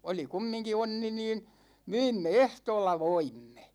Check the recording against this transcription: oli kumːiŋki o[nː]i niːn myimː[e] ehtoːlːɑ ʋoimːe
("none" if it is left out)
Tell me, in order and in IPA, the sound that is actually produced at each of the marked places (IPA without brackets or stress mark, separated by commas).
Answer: nː, e